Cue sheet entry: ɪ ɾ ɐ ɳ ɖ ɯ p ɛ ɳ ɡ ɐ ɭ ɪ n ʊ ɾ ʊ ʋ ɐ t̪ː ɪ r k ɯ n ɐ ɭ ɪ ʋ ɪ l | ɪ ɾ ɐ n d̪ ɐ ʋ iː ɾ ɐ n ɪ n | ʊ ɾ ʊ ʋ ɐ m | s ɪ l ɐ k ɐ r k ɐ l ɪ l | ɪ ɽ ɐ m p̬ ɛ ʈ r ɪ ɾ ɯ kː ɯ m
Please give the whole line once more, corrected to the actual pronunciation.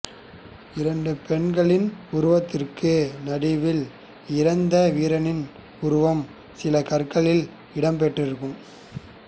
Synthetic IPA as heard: ɪ ɾ ɐ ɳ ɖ ɯ p ɛ ɳ ɡ ɐ ɭ ɪ n ʊ ɾ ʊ ʋ ɐ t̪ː ɪ r k ɯ n ɐ ɽ ɪ ʋ ɪ l | ɪ ɾ ɐ n d̪ ɐ ʋ iː ɾ ɐ n ɪ n | ʊ ɾ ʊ ʋ ɐ m | s ɪ l ɐ k ɐ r k ɐ ɭ ɪ l | ɪ ɽ ɐ m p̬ ɛ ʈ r ɪ ɾ ɯ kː ɯ m